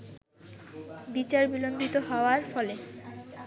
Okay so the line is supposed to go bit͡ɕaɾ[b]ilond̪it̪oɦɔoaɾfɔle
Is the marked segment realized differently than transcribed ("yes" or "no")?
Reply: no